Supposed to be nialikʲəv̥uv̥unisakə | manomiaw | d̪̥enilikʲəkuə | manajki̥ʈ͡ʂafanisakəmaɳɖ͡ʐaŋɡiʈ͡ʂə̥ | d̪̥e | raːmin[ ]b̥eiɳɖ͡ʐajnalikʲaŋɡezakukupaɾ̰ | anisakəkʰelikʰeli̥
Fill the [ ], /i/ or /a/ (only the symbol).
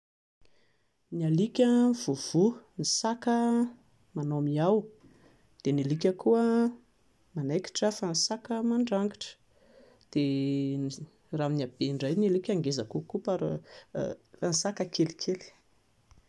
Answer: a